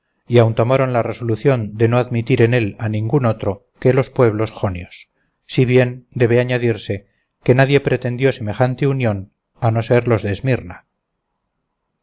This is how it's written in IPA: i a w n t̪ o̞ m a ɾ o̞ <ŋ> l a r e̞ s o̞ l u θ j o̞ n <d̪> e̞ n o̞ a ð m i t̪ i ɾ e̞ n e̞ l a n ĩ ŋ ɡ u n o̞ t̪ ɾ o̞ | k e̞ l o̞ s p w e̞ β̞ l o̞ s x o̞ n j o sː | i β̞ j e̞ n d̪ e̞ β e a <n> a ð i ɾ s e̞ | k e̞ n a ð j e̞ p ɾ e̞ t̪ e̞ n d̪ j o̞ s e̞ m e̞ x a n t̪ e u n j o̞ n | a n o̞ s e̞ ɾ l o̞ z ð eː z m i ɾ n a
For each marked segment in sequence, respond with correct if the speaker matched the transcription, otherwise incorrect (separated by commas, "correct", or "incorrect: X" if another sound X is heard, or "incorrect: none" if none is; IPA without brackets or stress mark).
incorrect: n, correct, incorrect: ɲ